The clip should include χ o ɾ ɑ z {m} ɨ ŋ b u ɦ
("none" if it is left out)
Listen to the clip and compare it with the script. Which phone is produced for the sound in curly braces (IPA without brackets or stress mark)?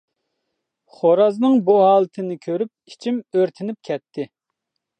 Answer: n